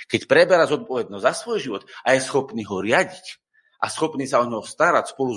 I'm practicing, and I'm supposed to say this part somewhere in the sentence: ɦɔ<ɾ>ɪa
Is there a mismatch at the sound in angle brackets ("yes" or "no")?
no